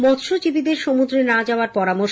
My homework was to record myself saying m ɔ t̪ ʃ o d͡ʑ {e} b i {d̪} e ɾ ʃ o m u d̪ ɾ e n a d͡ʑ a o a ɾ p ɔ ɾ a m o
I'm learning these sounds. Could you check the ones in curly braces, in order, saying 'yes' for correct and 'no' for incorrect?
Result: no, yes

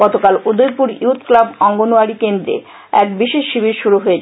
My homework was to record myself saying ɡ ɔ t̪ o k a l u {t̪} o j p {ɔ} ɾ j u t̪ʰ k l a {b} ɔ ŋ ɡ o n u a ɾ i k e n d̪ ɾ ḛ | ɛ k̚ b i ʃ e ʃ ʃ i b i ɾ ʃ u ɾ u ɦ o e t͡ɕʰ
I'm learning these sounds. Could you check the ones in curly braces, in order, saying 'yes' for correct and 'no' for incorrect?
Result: no, no, yes

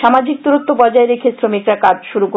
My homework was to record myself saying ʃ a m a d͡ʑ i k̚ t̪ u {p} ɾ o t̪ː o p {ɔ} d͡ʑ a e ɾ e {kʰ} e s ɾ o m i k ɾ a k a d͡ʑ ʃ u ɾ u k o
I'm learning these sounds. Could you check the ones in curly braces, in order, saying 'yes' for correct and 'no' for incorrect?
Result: no, yes, yes

